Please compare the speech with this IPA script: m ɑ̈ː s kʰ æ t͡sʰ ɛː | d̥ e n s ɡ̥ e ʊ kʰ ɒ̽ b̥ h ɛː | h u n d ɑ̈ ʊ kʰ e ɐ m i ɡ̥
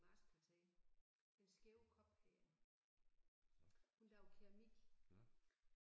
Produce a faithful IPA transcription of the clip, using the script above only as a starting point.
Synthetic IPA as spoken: m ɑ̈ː s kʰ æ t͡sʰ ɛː | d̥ e n s ɡ̥ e ʊ kʰ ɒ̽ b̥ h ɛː | h u n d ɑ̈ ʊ kʰ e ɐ m i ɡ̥